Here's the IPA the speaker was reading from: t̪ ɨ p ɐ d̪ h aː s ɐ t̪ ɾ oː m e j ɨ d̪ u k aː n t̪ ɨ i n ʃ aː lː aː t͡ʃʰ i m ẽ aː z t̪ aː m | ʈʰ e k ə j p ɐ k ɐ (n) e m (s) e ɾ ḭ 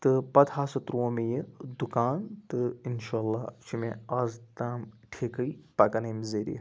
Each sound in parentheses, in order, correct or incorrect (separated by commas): correct, incorrect